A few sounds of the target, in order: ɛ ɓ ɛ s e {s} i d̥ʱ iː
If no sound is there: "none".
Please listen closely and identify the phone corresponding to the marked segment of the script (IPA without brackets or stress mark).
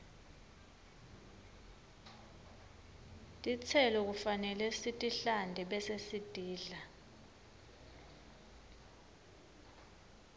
s